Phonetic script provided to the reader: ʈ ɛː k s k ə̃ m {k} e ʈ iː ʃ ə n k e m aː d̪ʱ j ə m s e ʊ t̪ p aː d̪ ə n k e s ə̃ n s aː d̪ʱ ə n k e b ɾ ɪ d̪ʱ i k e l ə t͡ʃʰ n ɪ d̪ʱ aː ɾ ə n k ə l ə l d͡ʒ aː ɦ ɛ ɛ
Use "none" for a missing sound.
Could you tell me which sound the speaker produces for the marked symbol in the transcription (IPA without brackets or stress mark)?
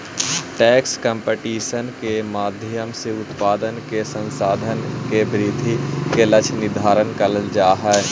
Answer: p